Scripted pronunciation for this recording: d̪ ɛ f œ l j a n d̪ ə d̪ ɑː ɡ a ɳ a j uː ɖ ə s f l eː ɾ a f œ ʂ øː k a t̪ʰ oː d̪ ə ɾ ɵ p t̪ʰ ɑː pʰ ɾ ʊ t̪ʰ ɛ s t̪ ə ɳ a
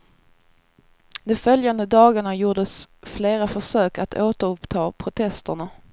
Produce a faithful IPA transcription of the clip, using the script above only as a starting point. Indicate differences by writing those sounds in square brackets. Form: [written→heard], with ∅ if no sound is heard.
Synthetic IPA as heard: d̪ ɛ f œ l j a n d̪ ə d̪ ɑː ɡ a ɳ a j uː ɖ ə s f l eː ɾ a f œ ʂ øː k a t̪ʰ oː [d̪→t̪] ə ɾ ɵ p t̪ʰ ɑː pʰ ɾ ʊ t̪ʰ ɛ s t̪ ə ɳ a